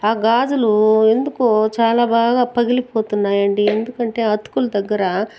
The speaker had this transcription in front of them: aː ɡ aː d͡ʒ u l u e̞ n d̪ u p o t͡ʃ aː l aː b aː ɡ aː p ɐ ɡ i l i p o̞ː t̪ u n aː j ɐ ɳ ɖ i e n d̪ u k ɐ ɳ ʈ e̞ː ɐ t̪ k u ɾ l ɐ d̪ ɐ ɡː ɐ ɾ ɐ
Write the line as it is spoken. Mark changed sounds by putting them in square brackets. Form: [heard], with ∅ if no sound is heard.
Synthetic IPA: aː ɡ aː d͡ʒ u l u e̞ n d̪ u [k] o t͡ʃ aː l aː b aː ɡ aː p ɐ ɡ i l i p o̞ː t̪ u [nː] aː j ɐ ɳ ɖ i e n d̪ u k ɐ ɳ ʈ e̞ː ɐ t̪ k u [∅] l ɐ d̪ ɐ ɡː ɐ ɾ ɐ

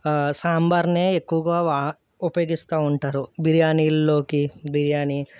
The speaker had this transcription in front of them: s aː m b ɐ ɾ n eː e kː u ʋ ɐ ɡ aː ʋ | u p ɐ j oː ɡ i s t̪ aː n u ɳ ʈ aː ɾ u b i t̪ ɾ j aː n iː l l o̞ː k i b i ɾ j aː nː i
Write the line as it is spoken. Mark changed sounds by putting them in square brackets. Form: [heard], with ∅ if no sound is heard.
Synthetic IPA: s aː m b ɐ ɾ n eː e kː u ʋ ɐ ɡ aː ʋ | u p ɐ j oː ɡ i s t̪ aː [∅] u ɳ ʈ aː ɾ u b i [∅] ɾ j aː n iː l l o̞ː k i b i ɾ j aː [n] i

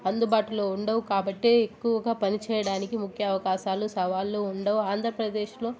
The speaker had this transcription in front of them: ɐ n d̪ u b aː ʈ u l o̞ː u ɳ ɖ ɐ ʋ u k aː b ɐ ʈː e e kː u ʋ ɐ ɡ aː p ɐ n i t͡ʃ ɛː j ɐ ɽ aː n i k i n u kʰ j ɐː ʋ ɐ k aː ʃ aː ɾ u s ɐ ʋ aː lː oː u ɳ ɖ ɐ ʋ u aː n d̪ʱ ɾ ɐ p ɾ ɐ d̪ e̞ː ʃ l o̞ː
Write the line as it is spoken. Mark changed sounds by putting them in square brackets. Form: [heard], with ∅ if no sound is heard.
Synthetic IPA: ɐ n d̪ u b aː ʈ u l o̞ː u ɳ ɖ ɐ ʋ u k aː b ɐ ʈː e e kː u ʋ ɐ ɡ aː p ɐ n i t͡ʃ ɛː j ɐ ɽ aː n i k i [m] u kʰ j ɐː ʋ ɐ k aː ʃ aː [l] u s ɐ ʋ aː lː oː u ɳ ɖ ɐ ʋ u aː n d̪ʱ ɾ ɐ p ɾ ɐ d̪ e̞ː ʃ l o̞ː

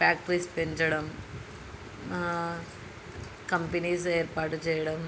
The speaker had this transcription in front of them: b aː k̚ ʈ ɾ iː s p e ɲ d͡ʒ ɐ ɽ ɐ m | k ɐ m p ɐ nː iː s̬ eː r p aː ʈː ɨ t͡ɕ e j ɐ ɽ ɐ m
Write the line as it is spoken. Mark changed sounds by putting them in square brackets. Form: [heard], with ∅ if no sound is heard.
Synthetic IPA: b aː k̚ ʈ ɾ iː s p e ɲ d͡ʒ ɐ ɽ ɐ m | k ɐ m p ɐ [n] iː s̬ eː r p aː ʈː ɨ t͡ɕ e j ɐ ɽ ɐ m

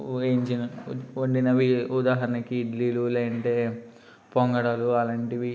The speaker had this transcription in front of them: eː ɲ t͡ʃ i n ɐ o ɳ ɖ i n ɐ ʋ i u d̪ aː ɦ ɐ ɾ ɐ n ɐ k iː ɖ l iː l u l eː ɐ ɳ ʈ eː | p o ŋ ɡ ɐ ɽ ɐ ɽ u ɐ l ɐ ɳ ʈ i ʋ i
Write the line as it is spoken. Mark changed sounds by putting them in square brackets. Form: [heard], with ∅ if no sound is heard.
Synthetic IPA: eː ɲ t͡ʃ i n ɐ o ɳ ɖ i n ɐ ʋ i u d̪ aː ɦ ɐ ɾ ɐ n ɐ k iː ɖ l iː l u l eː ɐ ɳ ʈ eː | p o ŋ ɡ ɐ ɽ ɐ [l] u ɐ l ɐ ɳ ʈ i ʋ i

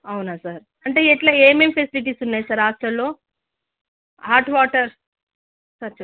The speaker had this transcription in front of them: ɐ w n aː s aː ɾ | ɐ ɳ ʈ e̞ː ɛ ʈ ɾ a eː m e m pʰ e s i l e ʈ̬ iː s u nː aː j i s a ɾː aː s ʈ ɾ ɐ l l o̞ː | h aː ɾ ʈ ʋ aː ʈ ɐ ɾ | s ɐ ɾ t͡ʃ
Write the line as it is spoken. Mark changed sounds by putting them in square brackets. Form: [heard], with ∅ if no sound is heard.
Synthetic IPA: ɐ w n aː s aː ɾ | ɐ ɳ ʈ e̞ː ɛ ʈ [l] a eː m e m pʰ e s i l [i] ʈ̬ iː s u nː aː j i s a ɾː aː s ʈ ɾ ɐ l l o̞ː | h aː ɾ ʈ ʋ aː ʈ ɐ ɾ | s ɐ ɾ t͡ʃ

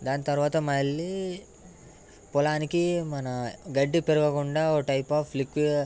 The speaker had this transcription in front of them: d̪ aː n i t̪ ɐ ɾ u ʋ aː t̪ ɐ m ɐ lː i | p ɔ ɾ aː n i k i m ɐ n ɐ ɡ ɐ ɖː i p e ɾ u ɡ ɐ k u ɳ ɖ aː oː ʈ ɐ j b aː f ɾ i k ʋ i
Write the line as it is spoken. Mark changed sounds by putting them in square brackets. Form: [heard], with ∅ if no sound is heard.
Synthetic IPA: d̪ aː n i t̪ ɐ ɾ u ʋ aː t̪ ɐ m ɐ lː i | p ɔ [l] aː n i k i m ɐ n ɐ ɡ ɐ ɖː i p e ɾ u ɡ ɐ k u ɳ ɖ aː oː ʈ ɐ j [p] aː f [l] i k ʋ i

